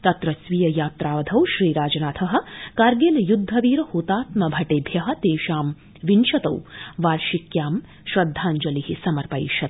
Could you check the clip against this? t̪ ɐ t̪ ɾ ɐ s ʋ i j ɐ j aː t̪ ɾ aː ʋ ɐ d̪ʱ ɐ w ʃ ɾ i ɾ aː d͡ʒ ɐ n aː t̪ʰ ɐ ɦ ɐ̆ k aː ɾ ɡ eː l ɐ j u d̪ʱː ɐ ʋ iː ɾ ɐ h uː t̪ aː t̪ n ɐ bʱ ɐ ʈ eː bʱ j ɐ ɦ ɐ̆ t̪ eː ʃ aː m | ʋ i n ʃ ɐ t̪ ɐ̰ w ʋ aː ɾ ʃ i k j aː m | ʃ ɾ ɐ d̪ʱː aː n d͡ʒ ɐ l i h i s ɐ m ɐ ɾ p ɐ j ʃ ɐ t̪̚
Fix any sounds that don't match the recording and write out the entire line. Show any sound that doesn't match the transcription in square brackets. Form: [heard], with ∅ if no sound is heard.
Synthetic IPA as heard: t̪ ɐ t̪ ɾ ɐ s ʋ i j ɐ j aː t̪ ɾ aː ʋ ɐ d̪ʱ ɐ w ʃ ɾ [iː] ɾ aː d͡ʒ ɐ n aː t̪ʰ ɐ ɦ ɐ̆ k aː ɾ ɡ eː l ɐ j u d̪ʱː ɐ ʋ iː ɾ ɐ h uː t̪ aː t̪ [m] ɐ bʱ ɐ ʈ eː bʱ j ɐ ɦ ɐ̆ t̪ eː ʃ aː m | ʋ i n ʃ ɐ t̪ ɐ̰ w ʋ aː ɾ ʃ i k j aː m | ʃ ɾ ɐ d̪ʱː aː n d͡ʒ ɐ l i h i s ɐ m ɐ ɾ p ɐ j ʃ ɐ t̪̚